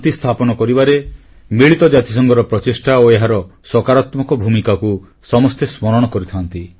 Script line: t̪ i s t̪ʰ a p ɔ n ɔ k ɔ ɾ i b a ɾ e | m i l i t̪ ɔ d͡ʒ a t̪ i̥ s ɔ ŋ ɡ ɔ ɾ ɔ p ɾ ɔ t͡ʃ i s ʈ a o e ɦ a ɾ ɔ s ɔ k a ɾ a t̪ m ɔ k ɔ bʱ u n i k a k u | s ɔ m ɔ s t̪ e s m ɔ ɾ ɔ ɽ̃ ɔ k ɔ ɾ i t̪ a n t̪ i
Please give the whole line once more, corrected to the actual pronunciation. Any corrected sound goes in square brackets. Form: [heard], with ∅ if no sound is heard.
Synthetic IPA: t̪ i s t̪ʰ a p ɔ n ɔ k ɔ ɾ i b a ɾ e | m i [ɭ] i t̪ ɔ d͡ʒ a t̪ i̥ s ɔ ŋ ɡ ɔ ɾ ɔ p ɾ ɔ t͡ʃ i s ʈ a o e ɦ a ɾ ɔ s ɔ k a ɾ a t̪ m ɔ k ɔ bʱ u [m] i k a k u | s ɔ m ɔ s t̪ e s m ɔ ɾ ɔ ɽ̃ ɔ k ɔ ɾ i [t̪ʰ] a n t̪ i